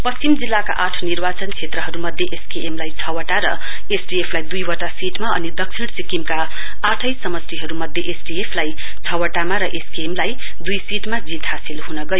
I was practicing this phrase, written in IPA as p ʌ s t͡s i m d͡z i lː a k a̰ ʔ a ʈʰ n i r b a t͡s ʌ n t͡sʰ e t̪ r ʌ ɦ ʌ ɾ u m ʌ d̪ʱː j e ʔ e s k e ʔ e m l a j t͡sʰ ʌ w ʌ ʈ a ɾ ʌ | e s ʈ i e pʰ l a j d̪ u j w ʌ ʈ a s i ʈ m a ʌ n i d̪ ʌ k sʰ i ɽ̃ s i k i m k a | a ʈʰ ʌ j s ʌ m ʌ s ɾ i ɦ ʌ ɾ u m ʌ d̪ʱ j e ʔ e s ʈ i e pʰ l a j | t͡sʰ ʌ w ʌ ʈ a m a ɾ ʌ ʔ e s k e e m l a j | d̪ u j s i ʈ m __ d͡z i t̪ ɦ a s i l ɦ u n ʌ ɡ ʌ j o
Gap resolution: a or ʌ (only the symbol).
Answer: a